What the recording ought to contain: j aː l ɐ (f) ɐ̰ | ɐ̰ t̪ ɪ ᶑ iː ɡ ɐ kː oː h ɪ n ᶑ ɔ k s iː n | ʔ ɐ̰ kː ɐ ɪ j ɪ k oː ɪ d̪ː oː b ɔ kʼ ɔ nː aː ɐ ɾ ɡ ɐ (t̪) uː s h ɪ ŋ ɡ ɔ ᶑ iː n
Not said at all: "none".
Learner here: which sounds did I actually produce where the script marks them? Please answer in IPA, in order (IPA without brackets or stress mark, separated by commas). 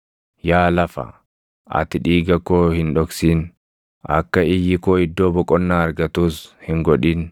f, t̪